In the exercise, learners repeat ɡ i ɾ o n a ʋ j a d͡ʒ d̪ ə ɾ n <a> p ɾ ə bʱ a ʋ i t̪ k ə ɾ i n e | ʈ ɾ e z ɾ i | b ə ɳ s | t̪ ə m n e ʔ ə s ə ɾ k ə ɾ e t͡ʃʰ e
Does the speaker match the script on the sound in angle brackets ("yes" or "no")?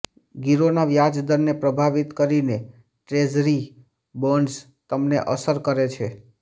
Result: no